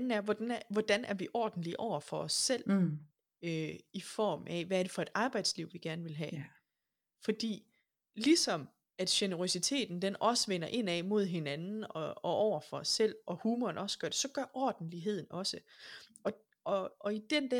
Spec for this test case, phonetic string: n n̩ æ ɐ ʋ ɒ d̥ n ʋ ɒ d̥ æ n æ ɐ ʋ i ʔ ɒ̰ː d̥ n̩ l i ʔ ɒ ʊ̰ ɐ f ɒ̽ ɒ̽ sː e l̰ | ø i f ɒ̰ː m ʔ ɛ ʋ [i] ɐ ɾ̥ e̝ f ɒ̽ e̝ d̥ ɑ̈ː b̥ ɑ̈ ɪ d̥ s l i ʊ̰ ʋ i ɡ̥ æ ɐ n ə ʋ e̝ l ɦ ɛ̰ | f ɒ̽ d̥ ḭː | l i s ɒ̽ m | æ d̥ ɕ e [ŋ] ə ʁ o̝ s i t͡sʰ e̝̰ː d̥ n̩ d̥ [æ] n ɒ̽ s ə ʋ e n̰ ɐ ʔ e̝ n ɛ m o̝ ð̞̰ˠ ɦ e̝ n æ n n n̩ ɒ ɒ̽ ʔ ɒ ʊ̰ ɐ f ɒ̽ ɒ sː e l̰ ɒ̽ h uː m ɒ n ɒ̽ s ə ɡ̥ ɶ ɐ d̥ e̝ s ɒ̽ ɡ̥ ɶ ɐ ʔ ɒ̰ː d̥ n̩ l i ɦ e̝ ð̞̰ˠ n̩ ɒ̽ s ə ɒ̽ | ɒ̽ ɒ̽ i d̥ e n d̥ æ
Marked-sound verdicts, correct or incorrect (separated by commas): incorrect, incorrect, incorrect